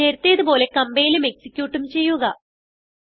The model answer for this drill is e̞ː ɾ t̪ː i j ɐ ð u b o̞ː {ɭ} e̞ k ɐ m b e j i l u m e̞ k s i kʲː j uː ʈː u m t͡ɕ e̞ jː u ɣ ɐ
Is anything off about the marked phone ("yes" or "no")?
yes